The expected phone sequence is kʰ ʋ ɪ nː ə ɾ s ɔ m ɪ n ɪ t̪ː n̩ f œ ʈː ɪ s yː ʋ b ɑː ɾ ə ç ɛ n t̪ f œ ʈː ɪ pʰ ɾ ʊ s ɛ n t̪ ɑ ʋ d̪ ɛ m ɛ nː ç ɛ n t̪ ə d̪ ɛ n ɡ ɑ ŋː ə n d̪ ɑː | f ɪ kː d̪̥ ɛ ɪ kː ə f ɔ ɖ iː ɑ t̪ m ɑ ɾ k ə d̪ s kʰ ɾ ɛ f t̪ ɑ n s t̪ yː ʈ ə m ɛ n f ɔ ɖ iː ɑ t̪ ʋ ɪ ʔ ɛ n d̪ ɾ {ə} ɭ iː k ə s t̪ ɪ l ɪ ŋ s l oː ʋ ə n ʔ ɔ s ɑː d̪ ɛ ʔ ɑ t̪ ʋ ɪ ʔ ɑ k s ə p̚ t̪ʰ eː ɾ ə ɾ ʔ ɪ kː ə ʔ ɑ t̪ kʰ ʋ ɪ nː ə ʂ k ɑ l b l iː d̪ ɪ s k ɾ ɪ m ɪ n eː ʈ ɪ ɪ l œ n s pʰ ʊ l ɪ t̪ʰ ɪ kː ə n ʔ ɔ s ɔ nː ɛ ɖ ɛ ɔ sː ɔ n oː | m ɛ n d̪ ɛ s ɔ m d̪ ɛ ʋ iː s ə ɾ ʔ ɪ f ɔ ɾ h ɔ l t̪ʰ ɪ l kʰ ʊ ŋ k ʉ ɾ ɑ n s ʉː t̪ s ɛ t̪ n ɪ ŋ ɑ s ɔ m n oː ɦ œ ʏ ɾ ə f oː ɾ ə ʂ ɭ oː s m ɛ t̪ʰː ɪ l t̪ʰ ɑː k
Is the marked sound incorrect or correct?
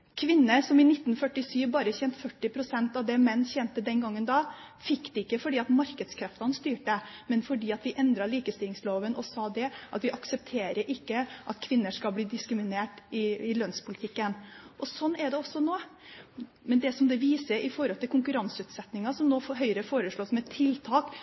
incorrect